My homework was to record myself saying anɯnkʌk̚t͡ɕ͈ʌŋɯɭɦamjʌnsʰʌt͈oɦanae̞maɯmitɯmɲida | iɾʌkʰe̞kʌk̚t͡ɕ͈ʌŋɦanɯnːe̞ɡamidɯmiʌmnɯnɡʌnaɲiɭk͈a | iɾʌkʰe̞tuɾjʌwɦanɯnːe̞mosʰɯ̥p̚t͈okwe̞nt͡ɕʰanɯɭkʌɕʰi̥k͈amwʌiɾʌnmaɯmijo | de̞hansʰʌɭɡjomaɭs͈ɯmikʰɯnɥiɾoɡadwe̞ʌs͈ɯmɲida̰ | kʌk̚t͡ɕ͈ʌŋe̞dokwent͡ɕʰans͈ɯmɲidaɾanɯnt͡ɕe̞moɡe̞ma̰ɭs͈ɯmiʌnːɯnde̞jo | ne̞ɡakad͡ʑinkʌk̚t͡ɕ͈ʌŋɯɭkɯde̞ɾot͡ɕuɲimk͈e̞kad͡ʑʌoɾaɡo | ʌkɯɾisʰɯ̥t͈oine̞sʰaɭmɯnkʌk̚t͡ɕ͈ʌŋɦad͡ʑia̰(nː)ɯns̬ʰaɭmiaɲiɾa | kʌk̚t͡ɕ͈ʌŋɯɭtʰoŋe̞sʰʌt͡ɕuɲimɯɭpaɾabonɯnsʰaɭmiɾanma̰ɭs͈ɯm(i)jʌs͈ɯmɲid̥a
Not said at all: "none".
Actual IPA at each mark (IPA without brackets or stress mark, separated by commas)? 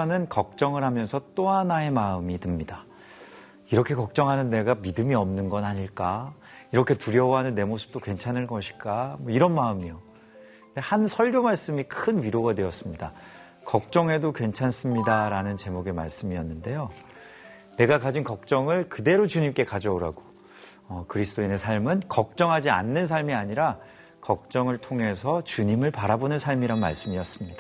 nː, i